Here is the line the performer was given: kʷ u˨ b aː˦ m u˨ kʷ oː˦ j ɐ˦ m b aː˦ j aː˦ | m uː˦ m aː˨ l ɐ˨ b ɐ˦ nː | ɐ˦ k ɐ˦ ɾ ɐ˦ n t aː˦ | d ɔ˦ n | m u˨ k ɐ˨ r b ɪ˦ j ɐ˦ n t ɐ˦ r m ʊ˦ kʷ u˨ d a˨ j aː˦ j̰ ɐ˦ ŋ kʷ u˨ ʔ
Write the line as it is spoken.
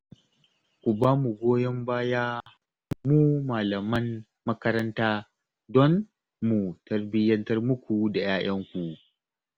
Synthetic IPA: kʷ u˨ b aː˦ m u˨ ɡʷ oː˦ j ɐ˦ m b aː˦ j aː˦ | m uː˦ m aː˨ l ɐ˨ m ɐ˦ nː | ɐ˦ k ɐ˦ ɾ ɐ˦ n t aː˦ | d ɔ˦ n | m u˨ t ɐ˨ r b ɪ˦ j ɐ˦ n t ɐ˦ r m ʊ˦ kʷ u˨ d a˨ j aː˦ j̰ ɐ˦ ŋ kʷ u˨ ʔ